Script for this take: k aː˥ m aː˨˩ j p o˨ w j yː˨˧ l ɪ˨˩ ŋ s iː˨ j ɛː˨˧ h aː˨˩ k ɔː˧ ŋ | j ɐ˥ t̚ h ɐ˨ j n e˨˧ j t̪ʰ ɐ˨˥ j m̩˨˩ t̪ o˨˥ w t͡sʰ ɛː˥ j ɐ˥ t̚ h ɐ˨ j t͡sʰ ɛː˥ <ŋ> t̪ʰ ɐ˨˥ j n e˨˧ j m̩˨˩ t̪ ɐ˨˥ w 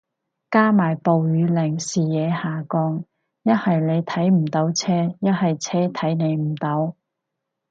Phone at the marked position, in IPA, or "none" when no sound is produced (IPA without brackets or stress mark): none